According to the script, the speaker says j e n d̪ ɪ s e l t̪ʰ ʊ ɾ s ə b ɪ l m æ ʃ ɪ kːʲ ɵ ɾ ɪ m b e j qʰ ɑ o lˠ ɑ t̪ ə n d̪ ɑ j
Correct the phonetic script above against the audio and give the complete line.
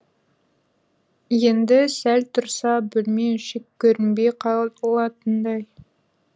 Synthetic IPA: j e n d̪ ɪ s æ l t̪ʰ ʊ ɾ s ɑ b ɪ l m e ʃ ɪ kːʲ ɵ ɾ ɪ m b e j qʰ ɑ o lˠ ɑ t̪ ə n d̪ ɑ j